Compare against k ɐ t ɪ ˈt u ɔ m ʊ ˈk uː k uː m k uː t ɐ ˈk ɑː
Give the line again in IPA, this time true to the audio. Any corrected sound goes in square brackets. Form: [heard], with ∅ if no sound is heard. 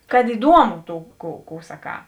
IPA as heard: k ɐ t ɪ [ˈd] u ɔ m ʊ [ˈt] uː k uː [∅] k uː [s] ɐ ˈk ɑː

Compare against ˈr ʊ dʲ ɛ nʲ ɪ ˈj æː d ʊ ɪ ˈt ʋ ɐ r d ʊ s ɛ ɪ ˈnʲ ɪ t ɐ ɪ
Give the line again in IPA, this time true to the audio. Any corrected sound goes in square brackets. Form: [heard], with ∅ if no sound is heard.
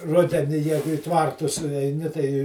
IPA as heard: ˈr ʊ dʲ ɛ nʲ ɪ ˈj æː [ɡ] ʊ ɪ ˈt ʋ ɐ r [t] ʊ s ɛ ɪ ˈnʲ ɪ t ɐ ɪ

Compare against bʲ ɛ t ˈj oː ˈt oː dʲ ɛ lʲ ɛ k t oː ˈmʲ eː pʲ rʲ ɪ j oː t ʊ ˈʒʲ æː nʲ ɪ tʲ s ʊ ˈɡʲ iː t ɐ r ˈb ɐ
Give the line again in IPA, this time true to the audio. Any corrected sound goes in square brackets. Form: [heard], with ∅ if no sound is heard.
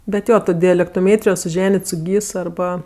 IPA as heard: bʲ ɛ t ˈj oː ˈt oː dʲ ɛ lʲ ɛ k t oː ˈmʲ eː [tʲ] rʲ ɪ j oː [s] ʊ ˈʒʲ æː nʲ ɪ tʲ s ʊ ˈɡʲ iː [s] ɐ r ˈb ɐ

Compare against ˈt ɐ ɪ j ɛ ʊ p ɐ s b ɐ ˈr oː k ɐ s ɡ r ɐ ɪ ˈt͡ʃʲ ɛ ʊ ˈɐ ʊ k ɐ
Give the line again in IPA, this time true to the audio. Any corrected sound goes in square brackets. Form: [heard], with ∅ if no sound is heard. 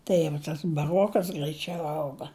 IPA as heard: ˈt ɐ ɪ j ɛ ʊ [t] ɐ s b ɐ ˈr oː k ɐ s ɡ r ɐ ɪ ˈt͡ʃʲ ɛ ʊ ˈɐ ʊ [ɡ] ɐ

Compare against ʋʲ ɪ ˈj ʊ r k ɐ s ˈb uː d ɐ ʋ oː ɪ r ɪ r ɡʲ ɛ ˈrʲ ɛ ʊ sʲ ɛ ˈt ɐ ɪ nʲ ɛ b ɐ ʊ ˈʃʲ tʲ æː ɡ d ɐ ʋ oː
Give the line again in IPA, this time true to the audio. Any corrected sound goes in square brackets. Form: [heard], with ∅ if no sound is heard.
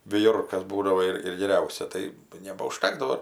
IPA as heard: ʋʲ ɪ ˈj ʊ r k ɐ s ˈb uː d ɐ ʋ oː ɪ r ɪ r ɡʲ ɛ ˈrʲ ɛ ʊ sʲ ɛ ˈt ɐ ɪ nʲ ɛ b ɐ ʊ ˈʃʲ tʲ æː ɡ d ɐ ʋ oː

